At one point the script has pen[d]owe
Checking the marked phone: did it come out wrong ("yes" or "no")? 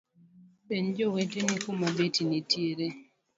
yes